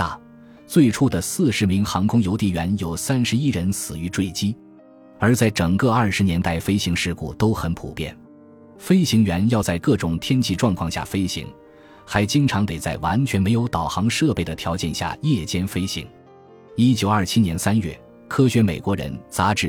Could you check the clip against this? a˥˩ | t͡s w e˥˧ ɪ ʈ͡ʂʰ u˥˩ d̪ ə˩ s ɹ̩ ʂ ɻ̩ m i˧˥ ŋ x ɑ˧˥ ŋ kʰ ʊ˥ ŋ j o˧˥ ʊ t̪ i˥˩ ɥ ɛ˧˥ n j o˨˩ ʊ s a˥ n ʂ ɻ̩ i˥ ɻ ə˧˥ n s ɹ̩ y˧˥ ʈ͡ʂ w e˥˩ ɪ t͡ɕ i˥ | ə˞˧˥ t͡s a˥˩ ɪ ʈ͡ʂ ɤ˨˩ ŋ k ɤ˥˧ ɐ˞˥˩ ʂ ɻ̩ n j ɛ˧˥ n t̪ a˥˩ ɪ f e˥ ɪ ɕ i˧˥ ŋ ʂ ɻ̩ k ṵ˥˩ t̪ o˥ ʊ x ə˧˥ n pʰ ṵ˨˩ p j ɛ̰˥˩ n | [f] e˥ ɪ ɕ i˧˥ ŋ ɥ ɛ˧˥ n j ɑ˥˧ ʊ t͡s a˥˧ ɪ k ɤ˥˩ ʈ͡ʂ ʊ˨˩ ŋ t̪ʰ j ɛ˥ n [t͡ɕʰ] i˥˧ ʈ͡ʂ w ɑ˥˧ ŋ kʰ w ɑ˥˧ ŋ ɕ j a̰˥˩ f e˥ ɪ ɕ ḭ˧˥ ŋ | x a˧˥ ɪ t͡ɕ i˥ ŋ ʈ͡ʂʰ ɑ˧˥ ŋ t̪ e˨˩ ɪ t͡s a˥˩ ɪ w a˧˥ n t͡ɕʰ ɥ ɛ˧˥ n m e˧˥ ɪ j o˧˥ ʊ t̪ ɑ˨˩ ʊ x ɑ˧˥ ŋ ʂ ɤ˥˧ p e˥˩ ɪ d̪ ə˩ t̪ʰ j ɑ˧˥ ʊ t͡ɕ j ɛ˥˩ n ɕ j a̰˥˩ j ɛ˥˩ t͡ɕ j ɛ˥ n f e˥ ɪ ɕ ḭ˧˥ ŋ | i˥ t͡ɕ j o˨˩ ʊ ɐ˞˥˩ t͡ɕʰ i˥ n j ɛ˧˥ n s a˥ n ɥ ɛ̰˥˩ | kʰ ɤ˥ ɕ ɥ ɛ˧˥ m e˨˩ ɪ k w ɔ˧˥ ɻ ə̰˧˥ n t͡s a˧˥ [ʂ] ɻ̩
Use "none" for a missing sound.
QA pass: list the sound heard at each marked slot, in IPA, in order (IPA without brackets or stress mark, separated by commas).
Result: f, t͡ɕʰ, ʈ͡ʂ